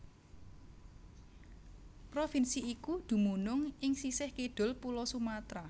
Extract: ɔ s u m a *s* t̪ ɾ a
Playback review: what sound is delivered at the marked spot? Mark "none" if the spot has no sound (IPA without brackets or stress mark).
none